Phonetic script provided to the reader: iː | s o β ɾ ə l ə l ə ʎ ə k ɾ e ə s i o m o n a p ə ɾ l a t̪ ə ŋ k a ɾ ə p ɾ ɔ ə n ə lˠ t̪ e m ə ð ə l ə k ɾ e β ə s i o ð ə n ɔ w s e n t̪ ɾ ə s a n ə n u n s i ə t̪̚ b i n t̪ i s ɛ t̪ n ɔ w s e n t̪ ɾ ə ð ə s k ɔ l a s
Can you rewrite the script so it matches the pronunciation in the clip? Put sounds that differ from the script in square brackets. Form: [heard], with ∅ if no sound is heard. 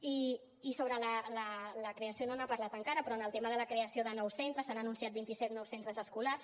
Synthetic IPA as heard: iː | s o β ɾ ə l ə l ə [l] ə k ɾ e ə s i o [n] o n a p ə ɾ l a t̪ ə ŋ k a ɾ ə p ɾ ɔ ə n ə lˠ t̪ e m ə ð ə l ə k ɾ e [∅] ə s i o ð ə n ɔ w s e n t̪ ɾ ə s a n ə n u n s i [a] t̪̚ b i n t̪ i s ɛ t̪ n ɔ w s e n t̪ ɾ ə [z] ə s k [u] l a s